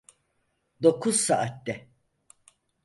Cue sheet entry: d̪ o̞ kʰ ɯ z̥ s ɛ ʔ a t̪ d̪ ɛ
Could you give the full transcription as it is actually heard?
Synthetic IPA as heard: d̪ o̞ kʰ u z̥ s a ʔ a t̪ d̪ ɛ